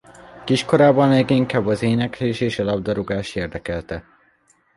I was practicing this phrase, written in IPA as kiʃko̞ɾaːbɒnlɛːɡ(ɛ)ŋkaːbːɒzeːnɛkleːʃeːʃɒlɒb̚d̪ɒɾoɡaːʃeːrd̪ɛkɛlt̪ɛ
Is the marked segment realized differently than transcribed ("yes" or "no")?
yes